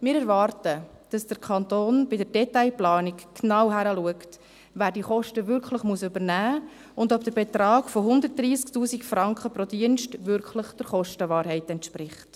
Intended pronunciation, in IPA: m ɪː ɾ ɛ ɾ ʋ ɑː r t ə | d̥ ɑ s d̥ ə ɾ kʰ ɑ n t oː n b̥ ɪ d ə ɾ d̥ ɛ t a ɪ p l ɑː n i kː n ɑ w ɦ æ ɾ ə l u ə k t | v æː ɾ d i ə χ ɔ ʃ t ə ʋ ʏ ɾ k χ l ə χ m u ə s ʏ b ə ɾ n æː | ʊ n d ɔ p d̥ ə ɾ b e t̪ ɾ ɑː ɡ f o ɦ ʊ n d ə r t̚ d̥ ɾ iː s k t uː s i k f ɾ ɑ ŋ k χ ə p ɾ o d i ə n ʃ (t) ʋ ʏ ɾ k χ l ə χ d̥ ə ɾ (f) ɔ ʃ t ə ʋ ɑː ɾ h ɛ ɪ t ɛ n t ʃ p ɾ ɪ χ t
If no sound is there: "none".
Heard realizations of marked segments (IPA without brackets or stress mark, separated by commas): t, χ